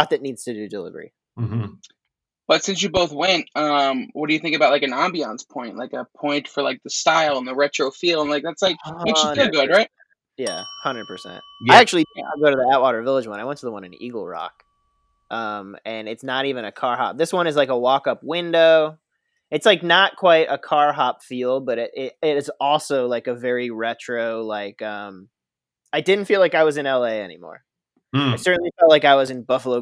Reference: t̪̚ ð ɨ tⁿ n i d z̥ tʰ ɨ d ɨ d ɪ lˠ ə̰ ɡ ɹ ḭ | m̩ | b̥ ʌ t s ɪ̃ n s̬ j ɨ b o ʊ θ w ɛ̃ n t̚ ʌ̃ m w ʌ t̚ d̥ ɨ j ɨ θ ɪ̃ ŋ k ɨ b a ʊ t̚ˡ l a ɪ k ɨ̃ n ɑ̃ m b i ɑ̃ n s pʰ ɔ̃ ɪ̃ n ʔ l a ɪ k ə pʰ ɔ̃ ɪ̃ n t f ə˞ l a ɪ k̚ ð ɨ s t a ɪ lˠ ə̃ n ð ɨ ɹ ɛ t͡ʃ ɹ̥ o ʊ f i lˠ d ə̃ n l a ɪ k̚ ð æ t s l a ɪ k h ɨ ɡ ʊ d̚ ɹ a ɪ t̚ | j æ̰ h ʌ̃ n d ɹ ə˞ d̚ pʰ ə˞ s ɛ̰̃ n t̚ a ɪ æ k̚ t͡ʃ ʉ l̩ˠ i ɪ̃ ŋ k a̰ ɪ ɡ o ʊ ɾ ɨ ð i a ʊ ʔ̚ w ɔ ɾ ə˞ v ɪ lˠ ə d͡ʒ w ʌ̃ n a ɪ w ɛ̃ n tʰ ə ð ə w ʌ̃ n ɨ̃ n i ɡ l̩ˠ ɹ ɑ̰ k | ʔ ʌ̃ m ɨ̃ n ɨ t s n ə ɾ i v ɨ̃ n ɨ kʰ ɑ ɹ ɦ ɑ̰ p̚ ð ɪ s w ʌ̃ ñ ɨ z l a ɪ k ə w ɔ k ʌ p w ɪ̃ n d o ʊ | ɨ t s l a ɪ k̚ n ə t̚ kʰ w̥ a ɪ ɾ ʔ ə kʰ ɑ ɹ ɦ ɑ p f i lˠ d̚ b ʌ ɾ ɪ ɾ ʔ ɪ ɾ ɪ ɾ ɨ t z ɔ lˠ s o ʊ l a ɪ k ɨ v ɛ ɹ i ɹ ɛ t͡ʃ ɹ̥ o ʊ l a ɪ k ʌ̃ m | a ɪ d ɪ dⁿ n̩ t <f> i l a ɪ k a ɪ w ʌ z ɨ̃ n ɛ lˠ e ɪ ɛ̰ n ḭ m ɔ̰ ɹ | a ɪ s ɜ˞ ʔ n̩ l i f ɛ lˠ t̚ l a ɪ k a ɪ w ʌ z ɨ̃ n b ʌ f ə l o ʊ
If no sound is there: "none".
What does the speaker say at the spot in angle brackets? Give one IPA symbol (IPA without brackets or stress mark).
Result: f